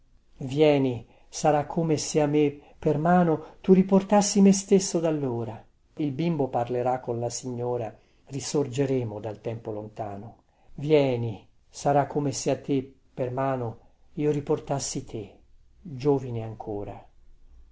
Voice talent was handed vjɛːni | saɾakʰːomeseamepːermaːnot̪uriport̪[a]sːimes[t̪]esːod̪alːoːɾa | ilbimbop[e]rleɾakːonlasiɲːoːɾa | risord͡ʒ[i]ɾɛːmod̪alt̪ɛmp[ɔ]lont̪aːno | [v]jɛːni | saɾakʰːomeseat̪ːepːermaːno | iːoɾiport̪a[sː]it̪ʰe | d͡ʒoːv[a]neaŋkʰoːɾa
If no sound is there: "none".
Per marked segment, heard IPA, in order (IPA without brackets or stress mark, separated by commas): a, t̪, a, e, o, v, sː, i